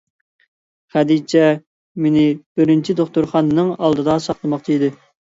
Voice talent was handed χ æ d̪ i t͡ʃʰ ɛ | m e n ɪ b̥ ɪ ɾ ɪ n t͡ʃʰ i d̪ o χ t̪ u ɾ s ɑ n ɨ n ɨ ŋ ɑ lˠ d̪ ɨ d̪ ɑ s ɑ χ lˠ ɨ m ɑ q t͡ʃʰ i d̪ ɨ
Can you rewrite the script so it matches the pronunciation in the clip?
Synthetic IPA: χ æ d̪ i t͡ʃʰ ɛ | m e n ɪ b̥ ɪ ɾ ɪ n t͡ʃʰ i d̪ o χ t̪ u ɾ χ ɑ n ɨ n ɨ ŋ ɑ lˠ d̪ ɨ d̪ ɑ s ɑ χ lˠ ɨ m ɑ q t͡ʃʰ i d̪ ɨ